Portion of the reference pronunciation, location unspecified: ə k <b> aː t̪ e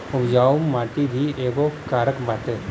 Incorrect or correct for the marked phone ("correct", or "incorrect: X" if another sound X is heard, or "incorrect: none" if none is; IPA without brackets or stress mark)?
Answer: correct